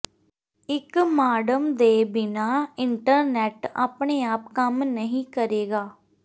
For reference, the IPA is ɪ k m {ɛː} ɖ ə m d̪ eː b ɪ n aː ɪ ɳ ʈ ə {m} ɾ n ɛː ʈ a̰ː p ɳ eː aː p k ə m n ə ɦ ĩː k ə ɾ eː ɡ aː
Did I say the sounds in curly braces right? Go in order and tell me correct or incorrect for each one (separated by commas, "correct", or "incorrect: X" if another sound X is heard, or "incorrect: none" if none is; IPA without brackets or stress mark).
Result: incorrect: aː, incorrect: none